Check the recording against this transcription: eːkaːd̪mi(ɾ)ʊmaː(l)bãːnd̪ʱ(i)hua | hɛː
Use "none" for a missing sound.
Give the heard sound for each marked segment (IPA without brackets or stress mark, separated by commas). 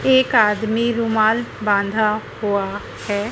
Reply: ɾ, l, a